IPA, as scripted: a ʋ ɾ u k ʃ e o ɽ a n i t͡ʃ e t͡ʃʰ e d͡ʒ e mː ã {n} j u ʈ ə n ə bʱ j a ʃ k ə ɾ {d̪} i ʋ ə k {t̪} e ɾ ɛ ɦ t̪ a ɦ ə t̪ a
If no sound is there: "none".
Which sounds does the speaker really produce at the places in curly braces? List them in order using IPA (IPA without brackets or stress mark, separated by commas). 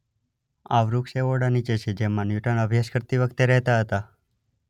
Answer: n, t̪, t̪